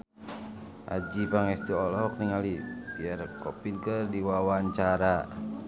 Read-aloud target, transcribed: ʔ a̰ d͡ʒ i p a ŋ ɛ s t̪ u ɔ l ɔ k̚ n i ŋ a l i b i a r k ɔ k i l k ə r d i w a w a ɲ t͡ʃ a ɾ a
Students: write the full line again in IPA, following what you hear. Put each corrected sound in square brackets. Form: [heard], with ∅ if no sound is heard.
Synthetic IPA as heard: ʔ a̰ d͡ʒ i p a ŋ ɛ s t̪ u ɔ l ɔ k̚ n i ŋ a l i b i a r k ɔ [p] i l k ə r d i w a w a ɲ t͡ʃ a ɾ a